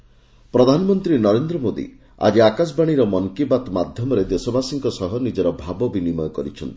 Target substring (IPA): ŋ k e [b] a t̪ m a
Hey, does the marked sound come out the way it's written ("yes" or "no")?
yes